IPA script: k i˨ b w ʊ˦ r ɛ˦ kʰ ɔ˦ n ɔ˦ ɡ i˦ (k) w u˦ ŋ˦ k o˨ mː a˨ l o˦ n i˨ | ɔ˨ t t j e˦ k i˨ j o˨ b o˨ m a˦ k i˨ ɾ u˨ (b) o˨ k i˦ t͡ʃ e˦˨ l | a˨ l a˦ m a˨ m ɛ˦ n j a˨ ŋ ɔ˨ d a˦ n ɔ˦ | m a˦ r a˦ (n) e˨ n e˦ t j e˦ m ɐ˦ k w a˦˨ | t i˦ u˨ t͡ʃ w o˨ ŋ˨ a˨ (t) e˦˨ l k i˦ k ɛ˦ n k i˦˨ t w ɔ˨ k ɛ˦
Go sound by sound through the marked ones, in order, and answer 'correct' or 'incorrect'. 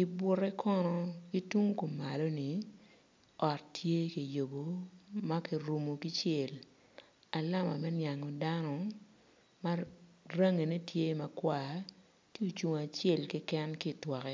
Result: incorrect, incorrect, incorrect, incorrect

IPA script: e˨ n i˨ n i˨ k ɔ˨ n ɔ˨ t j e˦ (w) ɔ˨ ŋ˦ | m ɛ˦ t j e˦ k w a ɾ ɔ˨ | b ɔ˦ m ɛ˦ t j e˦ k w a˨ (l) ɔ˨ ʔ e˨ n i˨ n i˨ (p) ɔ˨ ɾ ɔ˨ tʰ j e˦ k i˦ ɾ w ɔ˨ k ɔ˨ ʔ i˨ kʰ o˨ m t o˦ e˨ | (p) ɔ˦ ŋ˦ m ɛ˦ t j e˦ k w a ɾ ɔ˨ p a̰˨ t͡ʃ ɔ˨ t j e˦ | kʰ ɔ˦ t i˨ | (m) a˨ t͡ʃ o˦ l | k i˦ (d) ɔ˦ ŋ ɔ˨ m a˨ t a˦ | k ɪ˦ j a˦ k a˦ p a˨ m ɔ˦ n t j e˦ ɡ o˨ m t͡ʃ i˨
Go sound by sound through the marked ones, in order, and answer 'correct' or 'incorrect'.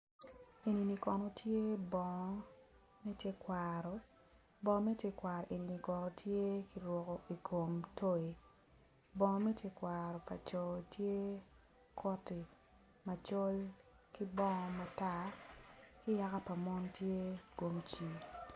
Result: incorrect, incorrect, incorrect, incorrect, correct, incorrect

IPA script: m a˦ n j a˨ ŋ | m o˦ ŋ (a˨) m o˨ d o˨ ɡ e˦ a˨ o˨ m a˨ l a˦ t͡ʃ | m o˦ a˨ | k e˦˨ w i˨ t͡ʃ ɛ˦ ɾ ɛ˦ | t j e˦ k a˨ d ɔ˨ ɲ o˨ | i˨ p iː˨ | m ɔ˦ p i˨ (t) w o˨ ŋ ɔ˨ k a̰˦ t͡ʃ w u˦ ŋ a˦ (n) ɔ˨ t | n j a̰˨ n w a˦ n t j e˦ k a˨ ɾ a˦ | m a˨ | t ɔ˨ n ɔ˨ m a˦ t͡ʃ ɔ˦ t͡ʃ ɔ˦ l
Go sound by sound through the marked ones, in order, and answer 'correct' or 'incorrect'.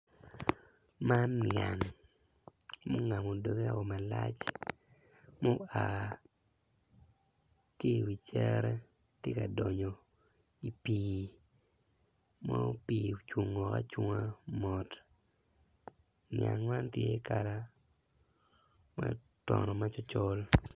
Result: correct, incorrect, incorrect

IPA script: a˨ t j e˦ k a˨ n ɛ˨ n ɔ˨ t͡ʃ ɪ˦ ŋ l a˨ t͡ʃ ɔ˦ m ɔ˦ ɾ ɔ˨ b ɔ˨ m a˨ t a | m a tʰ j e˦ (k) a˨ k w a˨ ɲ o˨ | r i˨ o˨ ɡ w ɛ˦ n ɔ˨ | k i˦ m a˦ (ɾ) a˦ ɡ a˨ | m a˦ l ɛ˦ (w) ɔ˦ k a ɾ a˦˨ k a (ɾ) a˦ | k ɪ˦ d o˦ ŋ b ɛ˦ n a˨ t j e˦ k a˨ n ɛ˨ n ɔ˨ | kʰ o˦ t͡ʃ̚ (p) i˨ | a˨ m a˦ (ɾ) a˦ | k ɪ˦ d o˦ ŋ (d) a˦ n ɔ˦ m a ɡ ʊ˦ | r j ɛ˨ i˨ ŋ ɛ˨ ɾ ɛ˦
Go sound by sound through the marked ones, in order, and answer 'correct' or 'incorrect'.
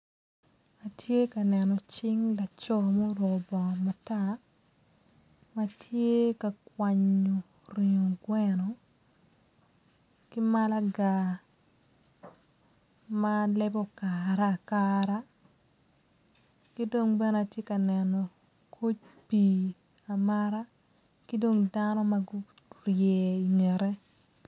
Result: correct, incorrect, incorrect, correct, correct, correct, correct

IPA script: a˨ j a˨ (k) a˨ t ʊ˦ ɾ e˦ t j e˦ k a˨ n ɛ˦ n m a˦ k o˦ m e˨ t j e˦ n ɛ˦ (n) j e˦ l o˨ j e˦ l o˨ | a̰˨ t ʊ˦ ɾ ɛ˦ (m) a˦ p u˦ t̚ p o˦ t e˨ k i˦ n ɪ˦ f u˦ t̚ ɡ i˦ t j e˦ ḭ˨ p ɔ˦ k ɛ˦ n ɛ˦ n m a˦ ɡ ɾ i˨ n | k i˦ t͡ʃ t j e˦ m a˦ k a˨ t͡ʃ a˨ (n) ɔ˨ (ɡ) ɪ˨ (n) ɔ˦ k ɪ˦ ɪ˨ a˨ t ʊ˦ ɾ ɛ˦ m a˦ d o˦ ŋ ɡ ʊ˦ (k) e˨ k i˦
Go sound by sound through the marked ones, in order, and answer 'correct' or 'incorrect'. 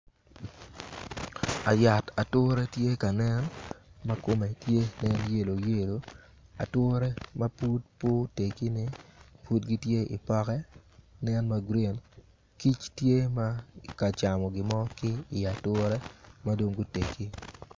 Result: incorrect, correct, correct, incorrect, correct, incorrect, incorrect

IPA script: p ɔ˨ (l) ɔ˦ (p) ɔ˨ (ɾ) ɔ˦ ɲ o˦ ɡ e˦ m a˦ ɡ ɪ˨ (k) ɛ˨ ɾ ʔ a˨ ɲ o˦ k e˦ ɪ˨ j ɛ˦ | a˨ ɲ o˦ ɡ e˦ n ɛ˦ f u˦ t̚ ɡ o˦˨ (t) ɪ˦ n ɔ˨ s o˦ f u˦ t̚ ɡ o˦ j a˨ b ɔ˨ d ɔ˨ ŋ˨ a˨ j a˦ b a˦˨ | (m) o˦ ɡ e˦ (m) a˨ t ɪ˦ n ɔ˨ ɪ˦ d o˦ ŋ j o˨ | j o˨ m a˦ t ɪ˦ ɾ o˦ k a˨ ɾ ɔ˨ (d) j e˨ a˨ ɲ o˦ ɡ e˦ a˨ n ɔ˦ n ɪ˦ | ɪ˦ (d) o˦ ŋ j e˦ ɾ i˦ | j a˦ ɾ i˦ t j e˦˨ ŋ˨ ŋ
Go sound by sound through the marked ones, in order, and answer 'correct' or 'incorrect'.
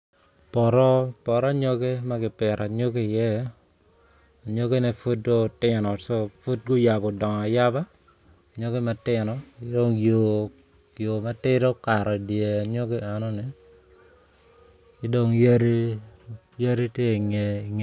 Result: incorrect, correct, correct, incorrect, correct, incorrect, correct, correct, correct

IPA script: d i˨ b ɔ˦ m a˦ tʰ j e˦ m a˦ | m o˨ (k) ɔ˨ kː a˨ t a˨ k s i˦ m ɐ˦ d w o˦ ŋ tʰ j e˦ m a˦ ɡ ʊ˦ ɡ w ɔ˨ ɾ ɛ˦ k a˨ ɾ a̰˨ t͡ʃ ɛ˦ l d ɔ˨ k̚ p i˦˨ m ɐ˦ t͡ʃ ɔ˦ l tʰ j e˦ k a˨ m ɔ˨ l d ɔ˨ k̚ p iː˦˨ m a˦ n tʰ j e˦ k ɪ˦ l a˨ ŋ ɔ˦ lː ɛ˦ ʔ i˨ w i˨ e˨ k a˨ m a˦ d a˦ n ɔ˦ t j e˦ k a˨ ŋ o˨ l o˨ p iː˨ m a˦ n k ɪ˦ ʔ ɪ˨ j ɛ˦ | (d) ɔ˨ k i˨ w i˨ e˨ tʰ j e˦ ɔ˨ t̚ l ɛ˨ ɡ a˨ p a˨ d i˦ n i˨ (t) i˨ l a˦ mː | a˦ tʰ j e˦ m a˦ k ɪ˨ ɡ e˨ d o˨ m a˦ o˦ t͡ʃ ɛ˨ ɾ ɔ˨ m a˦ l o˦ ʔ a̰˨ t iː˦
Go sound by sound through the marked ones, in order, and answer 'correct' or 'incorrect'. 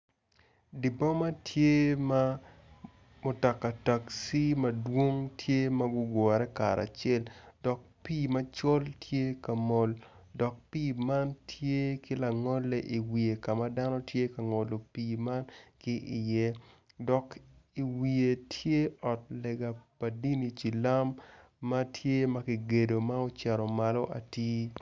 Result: incorrect, correct, incorrect

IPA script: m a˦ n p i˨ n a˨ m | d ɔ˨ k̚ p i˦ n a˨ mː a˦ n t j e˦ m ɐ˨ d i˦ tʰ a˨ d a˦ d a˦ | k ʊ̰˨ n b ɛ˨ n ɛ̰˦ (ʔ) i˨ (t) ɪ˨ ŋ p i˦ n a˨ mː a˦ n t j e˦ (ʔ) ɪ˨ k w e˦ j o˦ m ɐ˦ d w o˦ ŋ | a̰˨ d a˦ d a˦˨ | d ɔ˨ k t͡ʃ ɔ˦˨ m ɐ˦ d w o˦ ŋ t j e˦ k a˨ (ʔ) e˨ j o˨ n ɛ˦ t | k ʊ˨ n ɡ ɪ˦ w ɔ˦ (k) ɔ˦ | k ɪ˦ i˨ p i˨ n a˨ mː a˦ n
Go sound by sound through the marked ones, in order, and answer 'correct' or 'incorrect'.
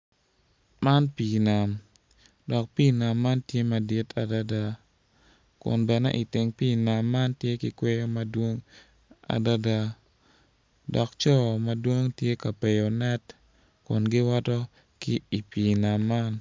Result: correct, correct, incorrect, incorrect, incorrect

